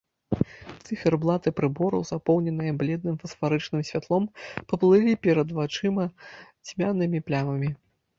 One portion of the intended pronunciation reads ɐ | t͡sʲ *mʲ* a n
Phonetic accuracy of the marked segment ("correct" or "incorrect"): correct